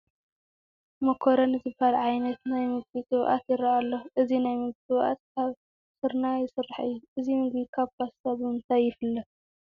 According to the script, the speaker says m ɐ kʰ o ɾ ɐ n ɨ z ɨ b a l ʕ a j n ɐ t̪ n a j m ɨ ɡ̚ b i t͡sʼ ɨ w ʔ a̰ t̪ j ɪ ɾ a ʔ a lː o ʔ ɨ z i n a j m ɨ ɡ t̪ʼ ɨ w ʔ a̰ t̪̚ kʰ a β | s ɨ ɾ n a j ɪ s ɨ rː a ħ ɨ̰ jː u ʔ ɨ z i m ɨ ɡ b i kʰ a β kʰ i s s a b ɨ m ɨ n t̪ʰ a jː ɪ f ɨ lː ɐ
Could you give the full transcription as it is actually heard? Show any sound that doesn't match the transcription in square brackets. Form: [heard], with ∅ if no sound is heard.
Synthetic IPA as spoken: m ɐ kʰ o ɾ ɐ n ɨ z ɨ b a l ʕ a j n ɐ t̪ n a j m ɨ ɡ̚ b i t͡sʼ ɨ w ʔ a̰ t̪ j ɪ ɾ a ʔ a lː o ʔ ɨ z i n a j m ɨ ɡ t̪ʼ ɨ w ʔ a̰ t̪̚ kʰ a β | s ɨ ɾ n a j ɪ s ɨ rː a ħ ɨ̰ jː u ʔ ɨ z i m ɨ ɡ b i kʰ a β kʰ [a] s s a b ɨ m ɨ n t̪ʰ a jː ɪ f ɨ lː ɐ